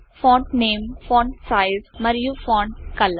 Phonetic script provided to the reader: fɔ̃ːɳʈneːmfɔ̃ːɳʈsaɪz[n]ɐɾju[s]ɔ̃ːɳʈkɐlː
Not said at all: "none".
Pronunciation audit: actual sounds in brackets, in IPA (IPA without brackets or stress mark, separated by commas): m, f